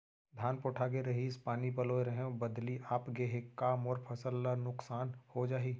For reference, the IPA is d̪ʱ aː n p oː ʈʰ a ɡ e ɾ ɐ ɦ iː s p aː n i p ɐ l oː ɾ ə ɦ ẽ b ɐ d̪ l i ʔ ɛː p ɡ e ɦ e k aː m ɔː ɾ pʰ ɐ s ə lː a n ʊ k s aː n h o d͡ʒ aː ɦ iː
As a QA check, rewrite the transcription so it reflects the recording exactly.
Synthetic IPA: d̪ʱ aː n p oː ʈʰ a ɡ e ɾ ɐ ɦ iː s p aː n i p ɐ l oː ɾ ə ɦ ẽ b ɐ d̪ l i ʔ aː p ɡ e ɦ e k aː m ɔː ɾ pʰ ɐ s ə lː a n ʊ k s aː n h o d͡ʒ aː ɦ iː